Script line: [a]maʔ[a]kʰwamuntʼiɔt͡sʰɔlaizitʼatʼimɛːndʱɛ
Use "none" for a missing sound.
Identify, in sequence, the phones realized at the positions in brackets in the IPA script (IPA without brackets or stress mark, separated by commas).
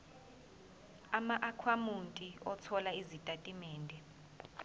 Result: a, a